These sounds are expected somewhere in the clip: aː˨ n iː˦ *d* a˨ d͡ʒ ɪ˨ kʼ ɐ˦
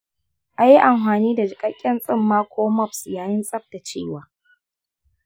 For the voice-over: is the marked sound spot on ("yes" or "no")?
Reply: yes